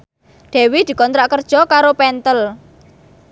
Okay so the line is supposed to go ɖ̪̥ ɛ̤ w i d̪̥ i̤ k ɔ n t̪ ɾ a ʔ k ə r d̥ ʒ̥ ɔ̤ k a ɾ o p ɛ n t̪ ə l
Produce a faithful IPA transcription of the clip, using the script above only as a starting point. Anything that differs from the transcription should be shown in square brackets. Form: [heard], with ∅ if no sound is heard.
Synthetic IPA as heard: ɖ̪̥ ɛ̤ w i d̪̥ i̤ k ɔ n t̪ ɾ a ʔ k ə r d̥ ʒ̥ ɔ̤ k a ɾ o p ɛ n t̪ ə l